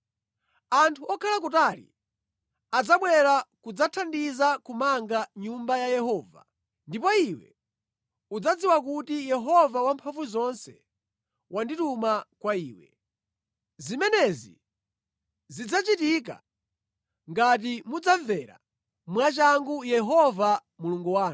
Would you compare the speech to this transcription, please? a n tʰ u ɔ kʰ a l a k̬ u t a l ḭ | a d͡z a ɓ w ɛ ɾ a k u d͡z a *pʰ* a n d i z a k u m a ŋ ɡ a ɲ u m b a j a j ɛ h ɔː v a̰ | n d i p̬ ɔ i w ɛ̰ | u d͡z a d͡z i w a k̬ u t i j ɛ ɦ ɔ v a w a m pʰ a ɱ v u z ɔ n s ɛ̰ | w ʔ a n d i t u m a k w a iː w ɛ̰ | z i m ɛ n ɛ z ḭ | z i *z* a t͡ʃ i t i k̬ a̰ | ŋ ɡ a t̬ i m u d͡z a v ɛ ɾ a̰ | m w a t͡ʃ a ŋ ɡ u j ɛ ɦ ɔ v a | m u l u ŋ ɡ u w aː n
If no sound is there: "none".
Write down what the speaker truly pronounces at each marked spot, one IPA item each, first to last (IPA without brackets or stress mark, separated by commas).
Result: tʰ, d͡z